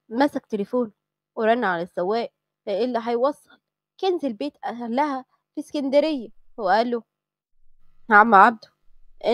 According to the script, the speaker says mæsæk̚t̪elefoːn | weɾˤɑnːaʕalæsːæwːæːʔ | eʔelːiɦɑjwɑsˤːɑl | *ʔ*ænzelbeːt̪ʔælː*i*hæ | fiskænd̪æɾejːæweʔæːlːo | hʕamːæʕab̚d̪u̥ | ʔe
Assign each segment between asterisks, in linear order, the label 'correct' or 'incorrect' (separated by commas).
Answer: incorrect, incorrect